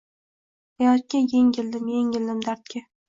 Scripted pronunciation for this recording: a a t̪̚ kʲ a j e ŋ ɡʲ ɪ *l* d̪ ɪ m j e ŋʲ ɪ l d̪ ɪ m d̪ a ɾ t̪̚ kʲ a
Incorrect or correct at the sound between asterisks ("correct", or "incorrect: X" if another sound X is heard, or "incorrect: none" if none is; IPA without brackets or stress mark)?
correct